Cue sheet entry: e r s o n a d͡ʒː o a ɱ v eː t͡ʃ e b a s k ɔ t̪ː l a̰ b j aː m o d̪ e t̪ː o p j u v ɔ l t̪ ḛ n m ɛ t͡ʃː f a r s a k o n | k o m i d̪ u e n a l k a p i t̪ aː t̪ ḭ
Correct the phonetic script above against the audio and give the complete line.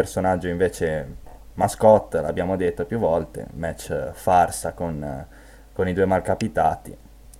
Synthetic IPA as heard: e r s o n a d͡ʒː o i ɱ v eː t͡ʃ e m a s k ɔ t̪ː l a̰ b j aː m o d̪ e t̪ː o p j u v ɔ l t̪ ḛ m ɛ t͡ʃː f a r s a k o n | k o n i d̪ u e m a l k a p i t̪ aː t̪ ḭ